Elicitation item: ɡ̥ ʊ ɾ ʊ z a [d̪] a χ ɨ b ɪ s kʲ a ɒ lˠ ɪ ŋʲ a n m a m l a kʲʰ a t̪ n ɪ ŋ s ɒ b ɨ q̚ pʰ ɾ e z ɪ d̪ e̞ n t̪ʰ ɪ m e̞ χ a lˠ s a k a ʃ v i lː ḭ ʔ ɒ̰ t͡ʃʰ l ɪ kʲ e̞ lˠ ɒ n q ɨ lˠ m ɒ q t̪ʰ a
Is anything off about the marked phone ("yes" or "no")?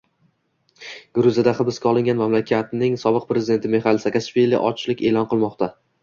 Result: no